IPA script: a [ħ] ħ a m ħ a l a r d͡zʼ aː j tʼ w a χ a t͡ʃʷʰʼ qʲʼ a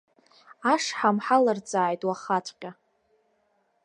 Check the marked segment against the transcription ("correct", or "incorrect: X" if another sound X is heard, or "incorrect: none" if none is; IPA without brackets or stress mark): incorrect: ʂ